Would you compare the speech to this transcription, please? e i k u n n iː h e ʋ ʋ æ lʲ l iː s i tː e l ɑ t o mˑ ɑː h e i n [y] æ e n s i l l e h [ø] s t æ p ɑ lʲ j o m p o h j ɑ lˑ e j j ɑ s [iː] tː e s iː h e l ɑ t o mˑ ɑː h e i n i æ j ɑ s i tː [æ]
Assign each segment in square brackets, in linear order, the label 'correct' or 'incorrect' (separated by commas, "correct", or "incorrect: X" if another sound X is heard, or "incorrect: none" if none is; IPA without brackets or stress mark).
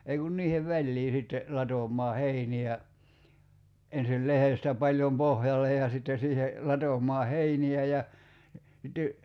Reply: incorrect: i, incorrect: e, incorrect: i, incorrect: e